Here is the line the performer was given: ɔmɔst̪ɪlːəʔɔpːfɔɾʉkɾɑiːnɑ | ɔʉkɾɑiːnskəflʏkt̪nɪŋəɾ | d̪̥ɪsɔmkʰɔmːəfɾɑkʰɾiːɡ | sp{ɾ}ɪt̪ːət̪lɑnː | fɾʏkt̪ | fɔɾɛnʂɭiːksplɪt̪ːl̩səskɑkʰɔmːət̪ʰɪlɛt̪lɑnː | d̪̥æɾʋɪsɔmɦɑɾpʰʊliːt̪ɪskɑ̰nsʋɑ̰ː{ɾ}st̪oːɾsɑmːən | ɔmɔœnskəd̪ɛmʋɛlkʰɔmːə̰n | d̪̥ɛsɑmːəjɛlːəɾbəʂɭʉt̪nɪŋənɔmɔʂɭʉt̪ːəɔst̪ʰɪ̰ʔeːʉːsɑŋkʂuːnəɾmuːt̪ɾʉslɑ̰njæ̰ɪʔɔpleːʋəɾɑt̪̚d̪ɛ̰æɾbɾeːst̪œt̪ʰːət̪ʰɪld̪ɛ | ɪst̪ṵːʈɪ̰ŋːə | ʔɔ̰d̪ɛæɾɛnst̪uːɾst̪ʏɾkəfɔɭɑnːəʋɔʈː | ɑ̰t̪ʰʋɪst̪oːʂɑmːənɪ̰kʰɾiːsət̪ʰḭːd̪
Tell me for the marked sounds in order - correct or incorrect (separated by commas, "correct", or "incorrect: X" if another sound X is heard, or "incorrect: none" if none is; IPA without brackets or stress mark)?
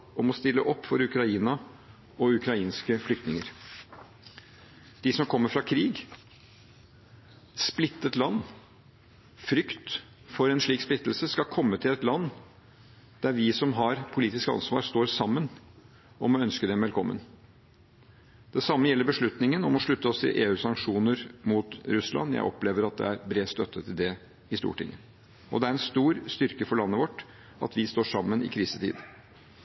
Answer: incorrect: l, correct